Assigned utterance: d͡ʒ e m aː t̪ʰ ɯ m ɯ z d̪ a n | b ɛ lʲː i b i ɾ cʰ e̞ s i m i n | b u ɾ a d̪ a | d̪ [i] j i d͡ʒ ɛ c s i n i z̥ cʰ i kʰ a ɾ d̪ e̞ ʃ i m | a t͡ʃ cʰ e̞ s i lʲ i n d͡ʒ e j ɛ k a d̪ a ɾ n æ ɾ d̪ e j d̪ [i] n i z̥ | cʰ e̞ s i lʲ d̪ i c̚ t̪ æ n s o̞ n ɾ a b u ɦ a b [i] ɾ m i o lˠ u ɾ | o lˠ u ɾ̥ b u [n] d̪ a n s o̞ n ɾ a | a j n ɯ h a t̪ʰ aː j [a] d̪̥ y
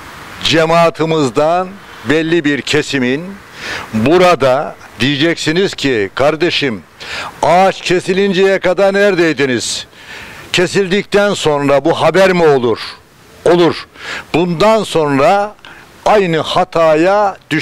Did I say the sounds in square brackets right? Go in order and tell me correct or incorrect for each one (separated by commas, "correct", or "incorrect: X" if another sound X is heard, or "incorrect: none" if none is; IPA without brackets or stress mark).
correct, correct, incorrect: æ, correct, correct